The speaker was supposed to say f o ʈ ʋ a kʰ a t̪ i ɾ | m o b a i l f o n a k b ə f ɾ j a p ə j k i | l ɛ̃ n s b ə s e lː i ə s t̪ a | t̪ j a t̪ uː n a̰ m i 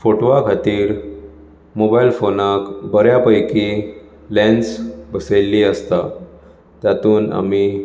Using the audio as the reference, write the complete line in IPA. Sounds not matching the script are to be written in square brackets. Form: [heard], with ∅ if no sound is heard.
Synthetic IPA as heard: f o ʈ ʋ a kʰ a t̪ [iː] ɾ | m o b a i l f o n a k b ə [∅] ɾ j a p ə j k i | l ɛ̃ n s b ə s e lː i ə s t̪ a | t̪ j a t̪ uː n a̰ m i